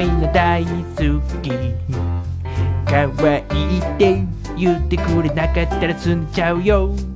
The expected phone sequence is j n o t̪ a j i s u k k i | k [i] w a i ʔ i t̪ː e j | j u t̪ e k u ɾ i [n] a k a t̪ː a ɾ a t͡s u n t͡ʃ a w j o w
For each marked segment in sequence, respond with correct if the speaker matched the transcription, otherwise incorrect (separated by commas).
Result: incorrect, correct